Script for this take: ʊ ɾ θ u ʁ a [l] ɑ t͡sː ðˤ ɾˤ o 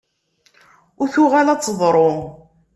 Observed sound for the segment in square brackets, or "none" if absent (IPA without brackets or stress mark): l